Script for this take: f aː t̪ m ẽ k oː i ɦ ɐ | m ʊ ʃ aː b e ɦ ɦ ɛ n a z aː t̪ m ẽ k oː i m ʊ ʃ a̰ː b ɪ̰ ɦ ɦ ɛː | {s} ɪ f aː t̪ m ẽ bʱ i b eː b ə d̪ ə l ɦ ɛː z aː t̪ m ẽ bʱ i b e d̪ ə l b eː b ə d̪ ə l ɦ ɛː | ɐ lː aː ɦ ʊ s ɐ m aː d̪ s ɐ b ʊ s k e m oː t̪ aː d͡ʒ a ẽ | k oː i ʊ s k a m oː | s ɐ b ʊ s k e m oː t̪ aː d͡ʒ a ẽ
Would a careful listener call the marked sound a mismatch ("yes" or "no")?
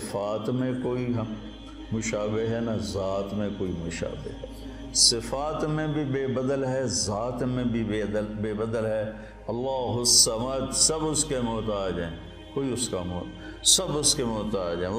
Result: no